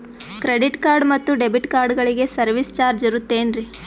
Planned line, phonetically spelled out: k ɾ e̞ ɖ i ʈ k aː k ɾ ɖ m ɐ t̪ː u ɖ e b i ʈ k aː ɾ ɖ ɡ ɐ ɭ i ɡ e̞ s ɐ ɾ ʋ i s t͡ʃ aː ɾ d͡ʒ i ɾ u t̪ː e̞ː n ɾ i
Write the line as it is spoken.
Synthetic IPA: k ɾ e̞ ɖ i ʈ k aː ɾ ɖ m ɐ t̪ː u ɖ e b i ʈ k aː ɾ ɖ ɡ ɐ ɭ i ɡ e̞ s ɐ ɾ ʋ i s t͡ʃ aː ɾ d͡ʒ i ɾ u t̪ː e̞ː n ɾ i